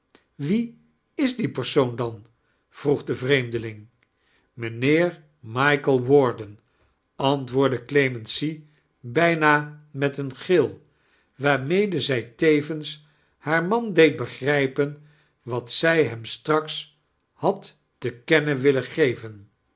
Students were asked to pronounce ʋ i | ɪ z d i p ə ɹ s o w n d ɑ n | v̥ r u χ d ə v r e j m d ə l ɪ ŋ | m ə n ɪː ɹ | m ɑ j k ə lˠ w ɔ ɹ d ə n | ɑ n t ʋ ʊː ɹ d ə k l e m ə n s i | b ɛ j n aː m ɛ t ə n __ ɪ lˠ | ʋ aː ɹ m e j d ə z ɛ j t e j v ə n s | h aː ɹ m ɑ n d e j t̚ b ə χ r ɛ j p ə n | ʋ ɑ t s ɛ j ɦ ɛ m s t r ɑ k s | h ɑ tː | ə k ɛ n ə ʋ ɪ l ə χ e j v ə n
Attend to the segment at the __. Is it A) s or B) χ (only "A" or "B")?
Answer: B